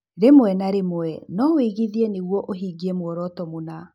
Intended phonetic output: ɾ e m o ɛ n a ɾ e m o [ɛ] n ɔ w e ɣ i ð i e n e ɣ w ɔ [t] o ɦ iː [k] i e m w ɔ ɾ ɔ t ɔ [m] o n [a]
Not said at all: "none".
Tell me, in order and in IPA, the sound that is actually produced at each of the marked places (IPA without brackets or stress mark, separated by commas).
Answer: ɛ, ʔ, ɡ, m, a